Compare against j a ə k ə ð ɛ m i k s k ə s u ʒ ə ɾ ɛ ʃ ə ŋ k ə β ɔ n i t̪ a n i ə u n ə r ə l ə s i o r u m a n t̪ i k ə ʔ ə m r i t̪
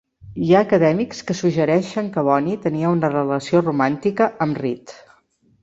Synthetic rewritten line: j a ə k ə ð ɛ m i k s k ə s u ʒ ə ɾ ɛ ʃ ə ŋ k ə β ɔ n i t̪ ə n i ə u n ə r ə l ə s i o r u m a n t̪ i k ə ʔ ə m r i t̪